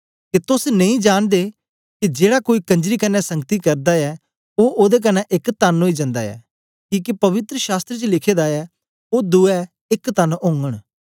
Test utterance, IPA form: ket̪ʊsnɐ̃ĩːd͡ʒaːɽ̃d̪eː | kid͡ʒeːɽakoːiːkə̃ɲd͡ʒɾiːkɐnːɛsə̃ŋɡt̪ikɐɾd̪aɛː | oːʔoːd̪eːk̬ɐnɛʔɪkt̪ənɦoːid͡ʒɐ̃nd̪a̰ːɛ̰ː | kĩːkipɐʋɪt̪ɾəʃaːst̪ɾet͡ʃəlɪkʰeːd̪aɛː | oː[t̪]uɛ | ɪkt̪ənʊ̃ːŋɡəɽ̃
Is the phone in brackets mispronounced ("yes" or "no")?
yes